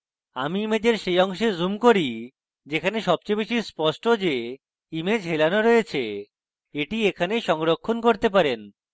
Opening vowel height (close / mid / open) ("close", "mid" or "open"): open